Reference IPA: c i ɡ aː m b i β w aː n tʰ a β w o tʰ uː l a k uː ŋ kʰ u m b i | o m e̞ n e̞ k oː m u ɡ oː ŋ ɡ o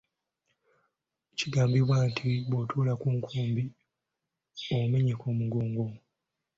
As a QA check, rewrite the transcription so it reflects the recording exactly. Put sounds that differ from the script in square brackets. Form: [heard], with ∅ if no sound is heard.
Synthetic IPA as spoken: c i ɡ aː m b i β w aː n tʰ [i] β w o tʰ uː l a k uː ŋ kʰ [uː] m b i | o m e̞ [ɲ] e̞ k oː m u ɡ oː ŋ ɡ o